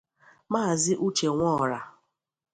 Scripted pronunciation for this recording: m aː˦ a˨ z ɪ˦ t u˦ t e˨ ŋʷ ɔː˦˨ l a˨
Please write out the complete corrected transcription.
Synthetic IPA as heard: m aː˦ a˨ z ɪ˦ ʔ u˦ t͡ʃ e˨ ŋʷ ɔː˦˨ ɾ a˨